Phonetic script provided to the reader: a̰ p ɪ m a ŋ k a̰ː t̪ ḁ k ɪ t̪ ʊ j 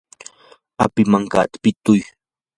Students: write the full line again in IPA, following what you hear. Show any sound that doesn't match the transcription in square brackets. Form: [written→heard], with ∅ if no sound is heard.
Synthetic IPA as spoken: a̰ p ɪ m a ŋ k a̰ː t̪ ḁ [k→p] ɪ t̪ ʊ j